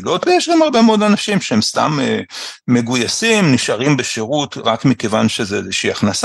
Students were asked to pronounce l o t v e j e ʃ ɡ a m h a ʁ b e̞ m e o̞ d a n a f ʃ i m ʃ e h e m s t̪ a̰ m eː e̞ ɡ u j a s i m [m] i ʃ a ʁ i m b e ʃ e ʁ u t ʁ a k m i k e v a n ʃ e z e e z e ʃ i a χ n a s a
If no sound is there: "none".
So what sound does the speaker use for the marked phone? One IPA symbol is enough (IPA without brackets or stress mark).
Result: n